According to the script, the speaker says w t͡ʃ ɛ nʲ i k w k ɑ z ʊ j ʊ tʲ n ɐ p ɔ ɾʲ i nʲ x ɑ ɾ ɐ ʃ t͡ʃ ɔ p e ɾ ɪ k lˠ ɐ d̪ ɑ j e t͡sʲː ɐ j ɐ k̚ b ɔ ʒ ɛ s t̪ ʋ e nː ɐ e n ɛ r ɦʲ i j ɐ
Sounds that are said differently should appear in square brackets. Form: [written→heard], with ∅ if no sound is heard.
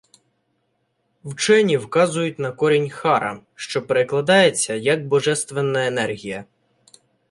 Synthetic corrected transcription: w t͡ʃ ɛ nʲ i [k→∅] w k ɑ z ʊ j ʊ tʲ n ɐ [p→k] ɔ ɾʲ i nʲ x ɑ ɾ ɐ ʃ t͡ʃ ɔ p e ɾ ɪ k lˠ ɐ d̪ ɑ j e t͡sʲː ɐ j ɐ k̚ b ɔ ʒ ɛ s t̪ ʋ e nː ɐ e n ɛ r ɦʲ i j ɐ